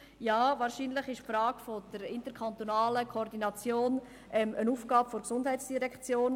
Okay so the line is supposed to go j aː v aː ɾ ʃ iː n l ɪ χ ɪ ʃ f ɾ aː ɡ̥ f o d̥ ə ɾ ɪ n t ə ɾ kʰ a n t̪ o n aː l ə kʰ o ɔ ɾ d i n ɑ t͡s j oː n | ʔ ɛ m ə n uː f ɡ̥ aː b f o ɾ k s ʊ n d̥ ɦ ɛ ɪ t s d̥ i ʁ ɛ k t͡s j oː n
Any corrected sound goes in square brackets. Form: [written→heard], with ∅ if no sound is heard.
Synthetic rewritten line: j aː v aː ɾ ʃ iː n l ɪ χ ɪ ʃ f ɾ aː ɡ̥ f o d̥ ə ɾ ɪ n t ə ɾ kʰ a n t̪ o n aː l ə kʰ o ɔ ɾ d i n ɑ t͡s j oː n | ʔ ɛ m ə n uː f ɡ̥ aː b f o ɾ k s ʊ n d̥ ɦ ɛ ɪ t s d̥ i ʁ ɛ k t͡s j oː n